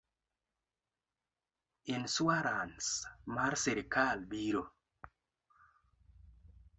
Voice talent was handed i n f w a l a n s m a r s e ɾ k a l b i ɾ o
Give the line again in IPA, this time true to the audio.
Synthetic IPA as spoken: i n s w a ɾ a n s m a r s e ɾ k a l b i ɾ o